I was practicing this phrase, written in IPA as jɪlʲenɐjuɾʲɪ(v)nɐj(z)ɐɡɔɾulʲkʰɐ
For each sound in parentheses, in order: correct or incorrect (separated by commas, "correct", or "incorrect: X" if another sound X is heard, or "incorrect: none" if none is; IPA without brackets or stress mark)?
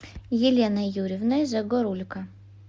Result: correct, correct